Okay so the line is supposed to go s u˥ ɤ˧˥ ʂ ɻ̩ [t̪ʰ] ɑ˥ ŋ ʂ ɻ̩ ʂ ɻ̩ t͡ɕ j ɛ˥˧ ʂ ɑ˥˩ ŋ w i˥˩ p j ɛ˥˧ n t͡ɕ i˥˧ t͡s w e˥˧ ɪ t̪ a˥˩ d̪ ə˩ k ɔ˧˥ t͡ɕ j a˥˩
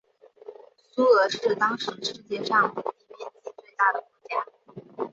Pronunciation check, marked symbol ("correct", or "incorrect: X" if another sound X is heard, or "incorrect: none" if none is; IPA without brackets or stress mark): incorrect: t̪